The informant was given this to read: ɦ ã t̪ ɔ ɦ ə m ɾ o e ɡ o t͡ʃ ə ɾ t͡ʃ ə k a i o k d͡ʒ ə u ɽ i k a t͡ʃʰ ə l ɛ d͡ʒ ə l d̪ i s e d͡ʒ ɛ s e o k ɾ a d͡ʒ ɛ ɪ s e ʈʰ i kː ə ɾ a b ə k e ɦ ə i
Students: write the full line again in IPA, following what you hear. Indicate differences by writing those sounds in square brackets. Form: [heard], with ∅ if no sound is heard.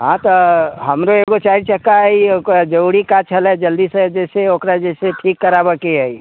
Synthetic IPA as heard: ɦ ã t̪ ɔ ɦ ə m ɾ o e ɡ o t͡ʃ [a] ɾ t͡ʃ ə k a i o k d͡ʒ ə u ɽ i k a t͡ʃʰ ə l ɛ d͡ʒ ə l d̪ i s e d͡ʒ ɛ s e o k ɾ a d͡ʒ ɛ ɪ s e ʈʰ i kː ə ɾ a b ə k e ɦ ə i